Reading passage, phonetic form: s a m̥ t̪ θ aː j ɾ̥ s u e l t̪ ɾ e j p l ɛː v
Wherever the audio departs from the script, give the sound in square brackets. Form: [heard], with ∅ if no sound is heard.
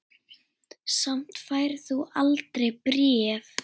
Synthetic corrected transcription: s a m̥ t̪ [f] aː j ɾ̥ [θ] u [a] l t̪ ɾ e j p [ɾ] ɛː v